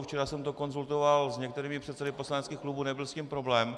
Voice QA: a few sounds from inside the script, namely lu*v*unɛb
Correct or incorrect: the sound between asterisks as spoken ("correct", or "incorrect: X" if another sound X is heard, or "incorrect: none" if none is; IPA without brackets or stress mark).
incorrect: b